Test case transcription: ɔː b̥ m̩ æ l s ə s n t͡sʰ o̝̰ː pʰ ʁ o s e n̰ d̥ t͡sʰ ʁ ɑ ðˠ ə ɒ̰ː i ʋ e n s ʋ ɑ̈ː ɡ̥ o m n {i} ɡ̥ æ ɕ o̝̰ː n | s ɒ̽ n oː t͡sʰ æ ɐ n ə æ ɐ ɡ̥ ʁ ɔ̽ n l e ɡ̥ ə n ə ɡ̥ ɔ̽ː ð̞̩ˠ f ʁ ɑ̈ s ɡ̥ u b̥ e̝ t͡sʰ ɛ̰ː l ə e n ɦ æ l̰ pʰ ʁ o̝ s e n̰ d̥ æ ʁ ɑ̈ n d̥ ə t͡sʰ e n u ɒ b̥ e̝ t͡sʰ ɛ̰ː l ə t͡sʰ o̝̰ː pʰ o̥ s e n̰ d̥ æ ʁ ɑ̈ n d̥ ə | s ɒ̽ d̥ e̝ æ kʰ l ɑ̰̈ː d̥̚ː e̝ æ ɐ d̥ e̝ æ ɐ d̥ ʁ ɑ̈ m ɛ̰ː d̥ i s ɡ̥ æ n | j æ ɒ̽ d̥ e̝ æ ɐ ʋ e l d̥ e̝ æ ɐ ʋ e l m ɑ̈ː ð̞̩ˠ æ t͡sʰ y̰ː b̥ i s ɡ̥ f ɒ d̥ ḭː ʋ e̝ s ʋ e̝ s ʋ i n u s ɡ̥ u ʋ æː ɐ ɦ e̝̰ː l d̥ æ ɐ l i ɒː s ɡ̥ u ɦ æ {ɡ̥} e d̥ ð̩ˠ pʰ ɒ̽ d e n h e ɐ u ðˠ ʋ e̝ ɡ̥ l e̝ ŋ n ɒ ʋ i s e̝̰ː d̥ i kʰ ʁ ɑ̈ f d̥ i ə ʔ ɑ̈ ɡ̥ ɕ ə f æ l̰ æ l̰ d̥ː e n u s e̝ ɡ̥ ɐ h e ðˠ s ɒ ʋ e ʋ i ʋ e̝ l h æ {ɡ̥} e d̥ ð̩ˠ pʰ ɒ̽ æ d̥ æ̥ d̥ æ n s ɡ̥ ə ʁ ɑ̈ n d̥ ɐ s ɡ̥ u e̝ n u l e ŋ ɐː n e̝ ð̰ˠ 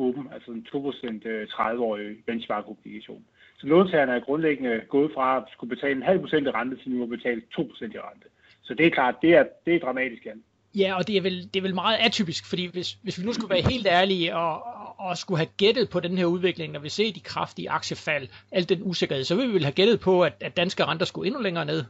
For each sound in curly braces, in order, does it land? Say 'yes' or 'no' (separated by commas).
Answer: yes, yes, yes